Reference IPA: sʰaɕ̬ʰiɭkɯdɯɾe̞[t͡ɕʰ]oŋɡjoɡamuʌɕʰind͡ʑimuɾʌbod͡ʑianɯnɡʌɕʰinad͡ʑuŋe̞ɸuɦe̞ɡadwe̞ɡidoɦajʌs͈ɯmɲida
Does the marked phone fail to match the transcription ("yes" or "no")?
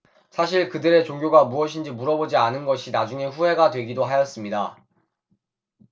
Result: yes